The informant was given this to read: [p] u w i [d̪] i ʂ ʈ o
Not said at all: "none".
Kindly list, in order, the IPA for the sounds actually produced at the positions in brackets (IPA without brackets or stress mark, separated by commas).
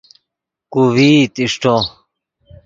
k, t̪